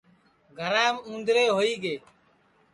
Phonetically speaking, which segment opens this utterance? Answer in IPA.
ɡʱ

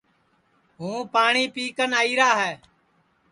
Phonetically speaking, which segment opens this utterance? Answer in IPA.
ɦ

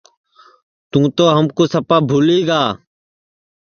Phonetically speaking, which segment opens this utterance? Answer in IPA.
t̪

